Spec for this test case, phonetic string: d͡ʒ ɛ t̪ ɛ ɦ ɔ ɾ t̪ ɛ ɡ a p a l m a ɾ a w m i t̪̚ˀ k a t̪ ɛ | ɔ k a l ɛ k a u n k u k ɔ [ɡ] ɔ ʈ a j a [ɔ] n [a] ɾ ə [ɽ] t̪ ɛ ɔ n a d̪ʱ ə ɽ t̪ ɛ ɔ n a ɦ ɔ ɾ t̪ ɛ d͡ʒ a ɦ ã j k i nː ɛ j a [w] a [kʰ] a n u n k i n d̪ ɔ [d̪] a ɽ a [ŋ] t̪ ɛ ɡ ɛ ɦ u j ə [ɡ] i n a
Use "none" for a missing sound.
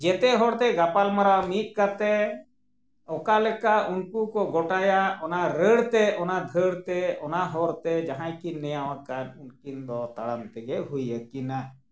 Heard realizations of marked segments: ɡ, ɔ, a, ɽ, w, k, t̪, m, k

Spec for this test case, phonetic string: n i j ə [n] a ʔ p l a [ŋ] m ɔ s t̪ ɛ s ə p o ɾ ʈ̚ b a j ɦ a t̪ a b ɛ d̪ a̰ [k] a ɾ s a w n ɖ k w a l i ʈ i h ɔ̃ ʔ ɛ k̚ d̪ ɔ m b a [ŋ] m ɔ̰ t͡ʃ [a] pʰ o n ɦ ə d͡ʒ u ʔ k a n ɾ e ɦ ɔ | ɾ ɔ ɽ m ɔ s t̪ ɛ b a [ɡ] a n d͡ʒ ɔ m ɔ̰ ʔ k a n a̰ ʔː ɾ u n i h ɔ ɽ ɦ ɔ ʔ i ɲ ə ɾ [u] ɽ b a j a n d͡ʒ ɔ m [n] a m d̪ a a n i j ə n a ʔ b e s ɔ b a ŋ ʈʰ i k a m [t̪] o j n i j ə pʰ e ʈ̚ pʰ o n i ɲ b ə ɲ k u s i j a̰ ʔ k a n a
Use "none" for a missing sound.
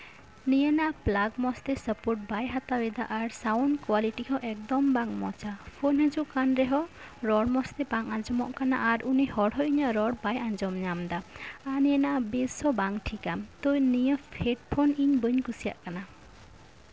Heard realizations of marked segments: n, ɡ, ʔ, ŋ, a, ŋ, ɔ, ɲ, t̪

